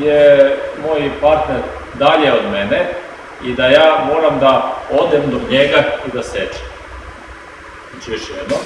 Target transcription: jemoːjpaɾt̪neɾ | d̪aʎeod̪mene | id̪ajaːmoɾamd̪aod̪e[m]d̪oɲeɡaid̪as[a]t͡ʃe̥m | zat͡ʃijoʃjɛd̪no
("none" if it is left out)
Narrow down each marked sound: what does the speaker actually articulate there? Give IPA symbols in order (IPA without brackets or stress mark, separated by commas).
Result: m, e